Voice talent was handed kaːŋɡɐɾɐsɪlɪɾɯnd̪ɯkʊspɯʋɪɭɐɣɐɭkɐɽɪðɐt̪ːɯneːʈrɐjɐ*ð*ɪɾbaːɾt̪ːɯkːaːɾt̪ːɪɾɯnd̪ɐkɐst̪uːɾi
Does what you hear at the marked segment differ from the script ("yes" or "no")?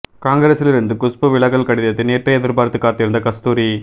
no